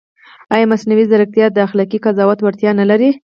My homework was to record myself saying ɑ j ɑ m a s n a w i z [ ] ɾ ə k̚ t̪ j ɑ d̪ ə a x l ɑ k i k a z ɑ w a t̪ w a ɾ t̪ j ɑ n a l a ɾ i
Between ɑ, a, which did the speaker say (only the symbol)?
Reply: a